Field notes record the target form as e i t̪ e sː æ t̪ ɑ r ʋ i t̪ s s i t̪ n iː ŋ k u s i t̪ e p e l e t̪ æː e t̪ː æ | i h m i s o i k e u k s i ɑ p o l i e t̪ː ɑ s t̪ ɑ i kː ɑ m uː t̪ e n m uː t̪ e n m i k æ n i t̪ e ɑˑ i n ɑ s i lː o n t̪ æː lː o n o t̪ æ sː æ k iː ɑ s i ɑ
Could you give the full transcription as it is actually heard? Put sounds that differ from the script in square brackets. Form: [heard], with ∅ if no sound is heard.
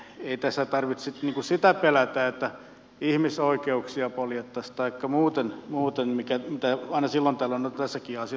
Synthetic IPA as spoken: e i t̪ [æ] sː æ t̪ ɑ r ʋ i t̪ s s i t̪ n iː ŋ k u s i t̪ [æ] p e l [æ] t̪ æː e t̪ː æ | i h m i s o i k e u k s i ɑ p o l [j] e t̪ː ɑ s t̪ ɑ i kː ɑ m uː t̪ e n m uː t̪ e n m i k æ [m] i t̪ [æ] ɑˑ i n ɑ s i lː o n t̪ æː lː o n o t̪ æ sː æ k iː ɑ s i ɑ